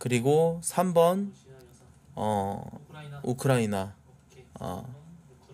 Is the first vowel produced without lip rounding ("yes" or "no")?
yes